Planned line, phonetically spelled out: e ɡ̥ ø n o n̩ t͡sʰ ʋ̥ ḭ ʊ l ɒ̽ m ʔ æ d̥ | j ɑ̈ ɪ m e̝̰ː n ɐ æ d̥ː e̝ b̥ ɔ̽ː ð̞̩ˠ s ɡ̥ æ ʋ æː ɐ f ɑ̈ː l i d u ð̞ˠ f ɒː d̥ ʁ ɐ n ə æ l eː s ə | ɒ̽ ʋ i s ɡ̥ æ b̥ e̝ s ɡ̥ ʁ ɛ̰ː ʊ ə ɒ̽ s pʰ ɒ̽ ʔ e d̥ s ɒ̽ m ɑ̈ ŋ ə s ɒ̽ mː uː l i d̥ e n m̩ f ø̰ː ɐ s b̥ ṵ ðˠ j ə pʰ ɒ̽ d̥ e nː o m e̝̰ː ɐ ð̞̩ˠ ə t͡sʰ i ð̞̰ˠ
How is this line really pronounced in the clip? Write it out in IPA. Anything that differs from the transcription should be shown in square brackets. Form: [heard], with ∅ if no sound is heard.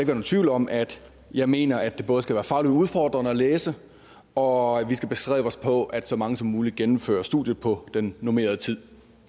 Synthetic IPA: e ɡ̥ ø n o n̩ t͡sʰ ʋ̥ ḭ ʊ l ɒ̽ m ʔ æ d̥ | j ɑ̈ ɪ m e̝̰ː n ɐ æ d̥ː e̝ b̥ ɔ̽ː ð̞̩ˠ s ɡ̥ æ ʋ æː ɐ f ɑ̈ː l i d u ð̞ˠ f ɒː d̥ ʁ ɐ n ə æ l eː s ə | ɒ̽ ʋ i s ɡ̥ æ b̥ e̝ s ɡ̥ ʁ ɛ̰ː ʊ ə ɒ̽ s pʰ ɒ̽ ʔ [æ] d̥ s ɒ̽ m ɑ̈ ŋ ə s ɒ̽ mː uː l i [ɡ̥] e n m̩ f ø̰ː ɐ s [d̥] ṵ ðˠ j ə pʰ ɒ̽ d̥ e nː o m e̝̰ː ɐ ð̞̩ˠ ə t͡sʰ i ð̞̰ˠ

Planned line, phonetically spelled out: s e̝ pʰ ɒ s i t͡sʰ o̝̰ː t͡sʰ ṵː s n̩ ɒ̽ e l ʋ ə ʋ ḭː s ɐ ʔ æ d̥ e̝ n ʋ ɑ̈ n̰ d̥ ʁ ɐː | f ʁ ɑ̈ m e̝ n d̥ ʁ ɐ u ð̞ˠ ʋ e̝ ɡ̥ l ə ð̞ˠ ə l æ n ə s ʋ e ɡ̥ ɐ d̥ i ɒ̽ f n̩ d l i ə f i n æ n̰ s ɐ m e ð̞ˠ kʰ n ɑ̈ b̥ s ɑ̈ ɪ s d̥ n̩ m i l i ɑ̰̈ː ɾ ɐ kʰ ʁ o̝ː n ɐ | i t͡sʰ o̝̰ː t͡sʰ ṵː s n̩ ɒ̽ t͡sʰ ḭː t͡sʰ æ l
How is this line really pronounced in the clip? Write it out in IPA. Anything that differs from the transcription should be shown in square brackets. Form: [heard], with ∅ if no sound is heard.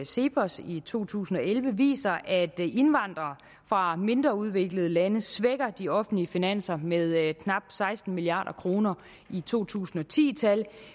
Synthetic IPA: s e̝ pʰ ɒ s i t͡sʰ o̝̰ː t͡sʰ ṵː s n̩ ɒ̽ e l ʋ ə ʋ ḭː s ɐ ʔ æ d̥ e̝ n ʋ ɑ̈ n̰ d̥ ʁ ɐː | f ʁ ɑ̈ m e̝ n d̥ ʁ ɐ u ð̞ˠ ʋ e̝ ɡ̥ l ə ð̞ˠ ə l æ n ə s ʋ e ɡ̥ ɐ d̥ i ɒ̽ f n̩ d l i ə f i n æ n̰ s ɐ m e ð̞ˠ kʰ n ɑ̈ b̥ s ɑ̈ ɪ s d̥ n̩ m i l i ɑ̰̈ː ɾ ɐ kʰ ʁ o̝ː n ɐ | i t͡sʰ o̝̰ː t͡sʰ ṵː s n̩ ɒ̽ t͡sʰ ḭː t͡sʰ æ l

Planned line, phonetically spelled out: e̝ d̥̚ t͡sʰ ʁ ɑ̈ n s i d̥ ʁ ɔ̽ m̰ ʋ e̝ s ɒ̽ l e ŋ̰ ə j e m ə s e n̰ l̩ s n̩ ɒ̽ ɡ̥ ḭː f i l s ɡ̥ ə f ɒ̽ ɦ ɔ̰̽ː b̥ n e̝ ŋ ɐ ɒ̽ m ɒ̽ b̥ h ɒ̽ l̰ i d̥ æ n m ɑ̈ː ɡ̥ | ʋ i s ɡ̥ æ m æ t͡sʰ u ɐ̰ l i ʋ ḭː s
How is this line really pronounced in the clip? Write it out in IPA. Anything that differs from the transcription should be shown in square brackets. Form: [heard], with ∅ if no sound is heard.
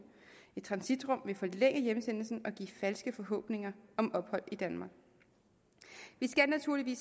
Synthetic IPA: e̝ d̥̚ t͡sʰ ʁ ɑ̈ n s i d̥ ʁ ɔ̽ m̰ ʋ e̝ [f] ɒ̽ l e ŋ̰ ə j e m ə s e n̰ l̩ s n̩ ɒ̽ ɡ̥ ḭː f [æ] l s ɡ̥ ə f ɒ̽ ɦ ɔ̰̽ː b̥ n e̝ ŋ ɐ ɒ̽ m ɒ̽ b̥ h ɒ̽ l̰ i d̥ æ n m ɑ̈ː ɡ̥ | ʋ i s ɡ̥ æ [n] æ t͡sʰ u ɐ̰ l i ʋ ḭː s

